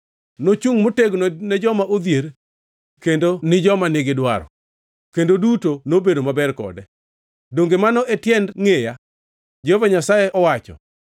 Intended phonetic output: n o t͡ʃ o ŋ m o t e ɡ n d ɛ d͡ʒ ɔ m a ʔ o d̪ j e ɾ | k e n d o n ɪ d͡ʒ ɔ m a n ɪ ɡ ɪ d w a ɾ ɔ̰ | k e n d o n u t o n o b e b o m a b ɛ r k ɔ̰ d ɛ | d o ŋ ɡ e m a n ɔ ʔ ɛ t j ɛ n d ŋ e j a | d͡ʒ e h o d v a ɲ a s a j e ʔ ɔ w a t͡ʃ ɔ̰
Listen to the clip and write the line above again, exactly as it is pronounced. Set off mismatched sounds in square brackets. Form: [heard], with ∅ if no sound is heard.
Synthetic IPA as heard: n o t͡ʃ [u] ŋ m o t e ɡ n [n] ɛ d͡ʒ ɔ m a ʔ o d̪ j e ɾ | k e n d o n ɪ d͡ʒ ɔ m a n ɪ ɡ ɪ d w a ɾ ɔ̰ | k e n d o [d] u t o n o b e [d] o m a b ɛ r k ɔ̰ d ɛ | d o ŋ ɡ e m a n ɔ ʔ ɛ t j ɛ n d ŋ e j a | d͡ʒ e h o [∅] v a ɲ a s a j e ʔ ɔ w a t͡ʃ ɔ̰